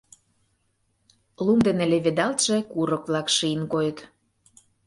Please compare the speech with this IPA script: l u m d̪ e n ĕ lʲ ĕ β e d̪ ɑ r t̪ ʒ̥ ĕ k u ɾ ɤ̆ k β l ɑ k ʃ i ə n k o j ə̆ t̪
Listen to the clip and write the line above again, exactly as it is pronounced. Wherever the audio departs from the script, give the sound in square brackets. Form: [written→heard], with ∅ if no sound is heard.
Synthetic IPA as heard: l u m d̪ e n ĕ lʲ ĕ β e d̪ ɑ [r→l] t̪ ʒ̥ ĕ k u ɾ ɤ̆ k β l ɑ k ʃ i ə n k o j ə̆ t̪